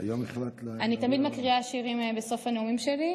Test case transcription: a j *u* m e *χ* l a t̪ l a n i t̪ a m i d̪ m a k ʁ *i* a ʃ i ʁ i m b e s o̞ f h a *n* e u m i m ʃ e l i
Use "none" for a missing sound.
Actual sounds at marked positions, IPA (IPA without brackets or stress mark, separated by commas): o, χ, i, n